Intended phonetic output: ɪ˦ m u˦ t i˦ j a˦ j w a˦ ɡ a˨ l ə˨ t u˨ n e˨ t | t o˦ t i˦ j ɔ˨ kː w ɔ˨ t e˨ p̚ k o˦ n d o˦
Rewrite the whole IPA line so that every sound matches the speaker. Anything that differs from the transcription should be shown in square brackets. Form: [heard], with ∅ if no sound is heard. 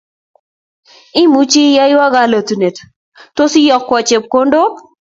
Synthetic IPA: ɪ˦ m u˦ [t͡ʃ] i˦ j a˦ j w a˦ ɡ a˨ l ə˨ t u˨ n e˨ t | t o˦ [s] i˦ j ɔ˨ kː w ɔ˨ [t͡ʃ] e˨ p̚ k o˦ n d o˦